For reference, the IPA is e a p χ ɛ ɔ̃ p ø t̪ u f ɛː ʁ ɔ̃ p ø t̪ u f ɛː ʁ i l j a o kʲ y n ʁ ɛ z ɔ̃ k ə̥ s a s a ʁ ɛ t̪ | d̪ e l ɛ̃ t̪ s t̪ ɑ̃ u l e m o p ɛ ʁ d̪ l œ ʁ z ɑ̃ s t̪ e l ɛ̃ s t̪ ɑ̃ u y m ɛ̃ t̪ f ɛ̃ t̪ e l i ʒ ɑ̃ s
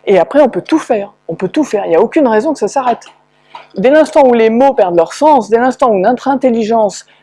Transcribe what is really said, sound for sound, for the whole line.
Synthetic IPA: e a p χ ɛ ɔ̃ p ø t̪ u f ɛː ʁ ɔ̃ p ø t̪ u f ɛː ʁ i l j a o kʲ y n ʁ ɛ z ɔ̃ k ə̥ s a s a ʁ ɛ t̪ | d̪ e l ɛ̃ s t̪ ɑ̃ u l e m o p ɛ ʁ d̪ l œ ʁ s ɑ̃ s d̪ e l ɛ̃ s t̪ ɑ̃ u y n ɛ̃ t̪ χ ɛ̃ t̪ e l i ʒ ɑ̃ s